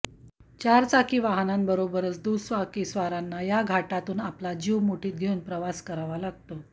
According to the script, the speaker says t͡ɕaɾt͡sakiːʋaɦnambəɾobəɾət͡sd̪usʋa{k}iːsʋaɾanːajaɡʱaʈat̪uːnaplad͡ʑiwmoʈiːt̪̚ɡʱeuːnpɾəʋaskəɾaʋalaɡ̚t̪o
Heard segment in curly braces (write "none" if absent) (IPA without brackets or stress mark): k